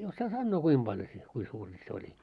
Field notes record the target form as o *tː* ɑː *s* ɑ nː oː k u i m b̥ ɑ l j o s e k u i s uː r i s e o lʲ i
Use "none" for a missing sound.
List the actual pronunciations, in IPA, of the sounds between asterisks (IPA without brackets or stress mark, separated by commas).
sː, s